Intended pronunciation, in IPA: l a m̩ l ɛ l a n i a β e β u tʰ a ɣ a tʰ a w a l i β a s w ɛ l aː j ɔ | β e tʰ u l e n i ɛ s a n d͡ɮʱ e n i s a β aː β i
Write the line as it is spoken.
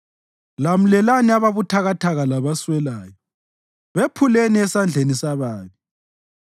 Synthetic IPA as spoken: l a m̩ l ɛ l a n i a β a β u tʰ a ɣ a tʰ a ɣ a l a β a s w ɛ l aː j ɔ | β e pʰ u l e n i ɛ s a n d͡ɮʱ e n i s a β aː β i